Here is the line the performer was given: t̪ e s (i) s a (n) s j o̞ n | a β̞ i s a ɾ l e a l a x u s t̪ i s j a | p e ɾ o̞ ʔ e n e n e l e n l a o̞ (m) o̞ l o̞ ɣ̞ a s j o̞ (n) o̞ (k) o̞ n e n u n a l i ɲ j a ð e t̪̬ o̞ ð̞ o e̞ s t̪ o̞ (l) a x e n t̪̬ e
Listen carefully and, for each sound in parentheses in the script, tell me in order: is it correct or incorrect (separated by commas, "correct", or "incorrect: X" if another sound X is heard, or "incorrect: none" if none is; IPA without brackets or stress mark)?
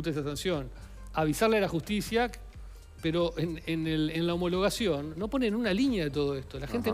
incorrect: a, correct, correct, incorrect: nː, incorrect: p, correct